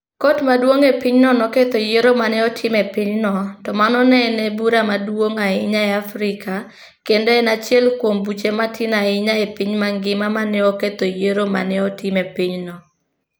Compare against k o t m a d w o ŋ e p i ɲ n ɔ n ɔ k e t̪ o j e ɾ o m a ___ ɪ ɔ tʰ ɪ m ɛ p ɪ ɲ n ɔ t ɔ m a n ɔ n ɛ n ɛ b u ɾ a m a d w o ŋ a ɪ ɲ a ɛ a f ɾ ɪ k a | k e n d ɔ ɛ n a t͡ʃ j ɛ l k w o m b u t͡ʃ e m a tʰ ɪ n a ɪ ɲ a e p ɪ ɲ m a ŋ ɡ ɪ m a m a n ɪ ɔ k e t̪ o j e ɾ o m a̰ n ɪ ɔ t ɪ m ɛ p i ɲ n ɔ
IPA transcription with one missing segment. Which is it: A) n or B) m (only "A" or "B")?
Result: A